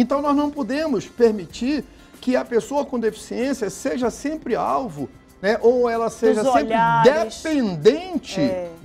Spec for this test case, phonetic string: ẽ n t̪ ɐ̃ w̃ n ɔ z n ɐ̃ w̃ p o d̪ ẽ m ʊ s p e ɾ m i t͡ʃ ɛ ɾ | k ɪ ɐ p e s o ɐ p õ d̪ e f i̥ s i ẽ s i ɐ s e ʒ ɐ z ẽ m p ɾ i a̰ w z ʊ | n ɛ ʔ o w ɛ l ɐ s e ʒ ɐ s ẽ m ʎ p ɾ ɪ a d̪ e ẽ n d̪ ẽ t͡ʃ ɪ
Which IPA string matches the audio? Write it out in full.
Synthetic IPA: ẽ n t̪ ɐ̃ w̃ n ɔ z n ɐ̃ w̃ p o d̪ ẽ m ʊ s p e ɾ m i t͡ʃ i ɾ | k ɪ ɐ p e s o ɐ k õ d̪ e f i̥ s i ẽ s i ɐ s e ʒ ɐ s ẽ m p ɾ ɪ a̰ w v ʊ | n ɛ ʔ o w ɛ l ɐ s e ʒ ɐ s ẽ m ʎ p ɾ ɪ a d̪ e ẽ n d̪ ẽ t͡ʃ ɪ